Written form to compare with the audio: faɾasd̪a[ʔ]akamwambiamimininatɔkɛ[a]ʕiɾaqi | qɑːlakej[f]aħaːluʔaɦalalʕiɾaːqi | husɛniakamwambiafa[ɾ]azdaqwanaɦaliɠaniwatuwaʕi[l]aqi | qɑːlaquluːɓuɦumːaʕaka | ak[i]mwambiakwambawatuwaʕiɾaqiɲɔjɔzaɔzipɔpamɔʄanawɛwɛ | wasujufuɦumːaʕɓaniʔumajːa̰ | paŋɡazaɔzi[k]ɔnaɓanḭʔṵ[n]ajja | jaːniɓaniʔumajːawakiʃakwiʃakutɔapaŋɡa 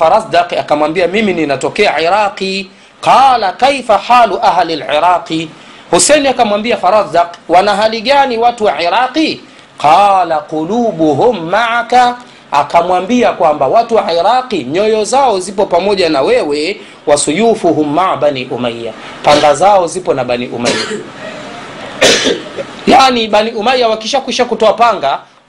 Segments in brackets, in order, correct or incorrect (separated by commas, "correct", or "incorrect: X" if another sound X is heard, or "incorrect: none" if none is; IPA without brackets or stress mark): incorrect: q, correct, correct, correct, incorrect: ɾ, incorrect: a, incorrect: p, incorrect: m